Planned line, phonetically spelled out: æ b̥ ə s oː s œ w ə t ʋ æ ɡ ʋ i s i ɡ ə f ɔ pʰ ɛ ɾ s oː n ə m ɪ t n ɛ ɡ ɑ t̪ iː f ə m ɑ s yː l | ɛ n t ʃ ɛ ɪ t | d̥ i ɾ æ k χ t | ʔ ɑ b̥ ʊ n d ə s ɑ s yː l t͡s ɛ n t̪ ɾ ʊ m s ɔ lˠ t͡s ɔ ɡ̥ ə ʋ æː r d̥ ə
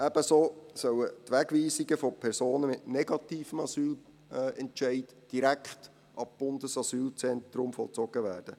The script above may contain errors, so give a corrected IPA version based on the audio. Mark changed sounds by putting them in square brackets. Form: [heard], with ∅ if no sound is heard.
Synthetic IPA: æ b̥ ə s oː s œ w ə t ʋ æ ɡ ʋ [iː] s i ɡ ə f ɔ pʰ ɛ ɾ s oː n ə m ɪ t n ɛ ɡ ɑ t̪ iː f ə m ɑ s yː l | ɛ n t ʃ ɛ ɪ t | d̥ i ɾ æ k χ t | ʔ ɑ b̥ ʊ n d ə s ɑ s yː l t͡s ɛ n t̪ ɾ ʊ m [f] ɔ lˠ t͡s ɔ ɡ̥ ə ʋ æː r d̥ ə